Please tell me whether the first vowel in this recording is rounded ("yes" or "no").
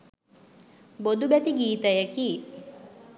yes